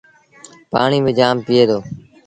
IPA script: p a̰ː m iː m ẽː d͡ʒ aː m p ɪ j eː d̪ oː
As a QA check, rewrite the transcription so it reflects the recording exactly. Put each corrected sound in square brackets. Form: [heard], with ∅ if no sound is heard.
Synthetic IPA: p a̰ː [ɳ] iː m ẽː d͡ʒ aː m p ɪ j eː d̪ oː